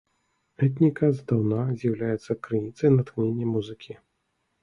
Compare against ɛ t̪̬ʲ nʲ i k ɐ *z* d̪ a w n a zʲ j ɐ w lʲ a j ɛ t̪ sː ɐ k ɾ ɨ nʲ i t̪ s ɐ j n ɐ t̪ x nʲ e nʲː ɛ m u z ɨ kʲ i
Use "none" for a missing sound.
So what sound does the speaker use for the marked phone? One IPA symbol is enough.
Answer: z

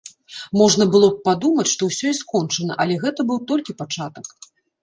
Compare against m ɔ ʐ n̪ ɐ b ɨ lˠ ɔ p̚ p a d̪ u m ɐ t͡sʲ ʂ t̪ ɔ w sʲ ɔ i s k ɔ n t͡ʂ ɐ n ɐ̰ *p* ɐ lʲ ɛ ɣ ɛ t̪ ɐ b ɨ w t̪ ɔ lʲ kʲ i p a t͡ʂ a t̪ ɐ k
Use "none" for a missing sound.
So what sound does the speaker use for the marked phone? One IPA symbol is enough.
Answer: ʔ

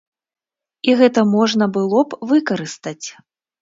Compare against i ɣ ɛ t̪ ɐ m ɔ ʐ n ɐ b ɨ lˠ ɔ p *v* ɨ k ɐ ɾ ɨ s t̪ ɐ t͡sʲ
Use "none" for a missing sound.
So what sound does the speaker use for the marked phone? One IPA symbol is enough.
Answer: v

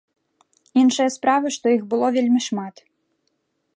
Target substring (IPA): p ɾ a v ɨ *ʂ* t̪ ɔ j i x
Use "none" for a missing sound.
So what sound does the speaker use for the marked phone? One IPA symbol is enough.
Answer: ʂ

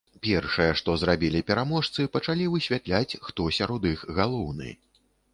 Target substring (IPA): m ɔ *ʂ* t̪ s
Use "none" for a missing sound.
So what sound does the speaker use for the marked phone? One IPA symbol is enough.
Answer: ʂ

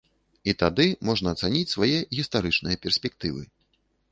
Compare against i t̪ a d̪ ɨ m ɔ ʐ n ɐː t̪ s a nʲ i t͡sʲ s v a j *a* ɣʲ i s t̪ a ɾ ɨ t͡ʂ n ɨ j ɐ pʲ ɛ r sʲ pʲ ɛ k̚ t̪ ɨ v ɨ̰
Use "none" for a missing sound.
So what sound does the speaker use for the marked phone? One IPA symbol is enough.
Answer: ɛ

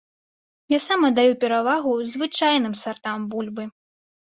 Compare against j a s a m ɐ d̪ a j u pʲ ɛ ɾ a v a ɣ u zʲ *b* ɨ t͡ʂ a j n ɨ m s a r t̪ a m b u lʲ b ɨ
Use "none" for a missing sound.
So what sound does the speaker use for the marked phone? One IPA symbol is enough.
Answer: v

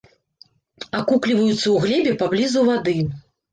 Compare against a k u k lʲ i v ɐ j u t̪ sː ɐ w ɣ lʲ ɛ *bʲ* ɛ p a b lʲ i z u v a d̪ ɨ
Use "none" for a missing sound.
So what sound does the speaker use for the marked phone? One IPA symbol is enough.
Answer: bʲ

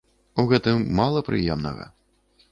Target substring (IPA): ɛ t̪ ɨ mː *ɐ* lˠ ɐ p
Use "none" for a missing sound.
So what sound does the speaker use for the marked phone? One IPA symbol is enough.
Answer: a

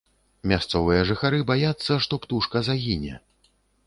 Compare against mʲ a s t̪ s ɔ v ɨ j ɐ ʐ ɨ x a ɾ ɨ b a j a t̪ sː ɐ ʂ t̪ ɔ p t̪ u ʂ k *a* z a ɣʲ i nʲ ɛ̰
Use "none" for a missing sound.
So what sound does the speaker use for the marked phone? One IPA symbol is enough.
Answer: ɐ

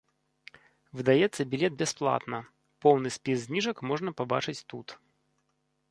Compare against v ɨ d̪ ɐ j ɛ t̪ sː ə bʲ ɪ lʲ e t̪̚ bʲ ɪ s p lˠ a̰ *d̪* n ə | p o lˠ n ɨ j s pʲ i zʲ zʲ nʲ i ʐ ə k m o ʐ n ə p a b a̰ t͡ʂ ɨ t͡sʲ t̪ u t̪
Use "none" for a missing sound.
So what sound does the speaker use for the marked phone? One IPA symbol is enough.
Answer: t̪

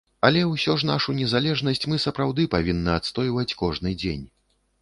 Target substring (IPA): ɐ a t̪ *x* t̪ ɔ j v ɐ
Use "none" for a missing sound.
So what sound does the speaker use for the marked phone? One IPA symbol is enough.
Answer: s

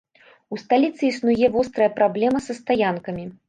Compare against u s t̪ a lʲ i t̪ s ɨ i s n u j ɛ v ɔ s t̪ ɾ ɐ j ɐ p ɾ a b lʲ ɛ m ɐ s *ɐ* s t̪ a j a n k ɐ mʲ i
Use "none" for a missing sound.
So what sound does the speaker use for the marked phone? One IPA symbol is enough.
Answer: ɐ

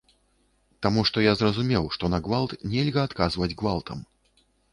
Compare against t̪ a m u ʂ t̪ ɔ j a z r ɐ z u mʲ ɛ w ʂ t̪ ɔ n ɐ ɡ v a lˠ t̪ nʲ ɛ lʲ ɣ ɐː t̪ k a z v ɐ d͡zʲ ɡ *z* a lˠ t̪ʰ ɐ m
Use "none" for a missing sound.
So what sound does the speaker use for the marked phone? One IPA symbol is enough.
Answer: v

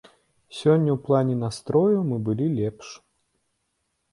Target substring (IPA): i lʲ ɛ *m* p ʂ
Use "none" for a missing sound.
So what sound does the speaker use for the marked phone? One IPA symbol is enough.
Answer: none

